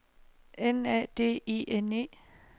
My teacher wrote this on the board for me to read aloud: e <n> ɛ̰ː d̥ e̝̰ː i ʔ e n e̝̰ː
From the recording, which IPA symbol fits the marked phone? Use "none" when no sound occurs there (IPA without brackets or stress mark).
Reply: n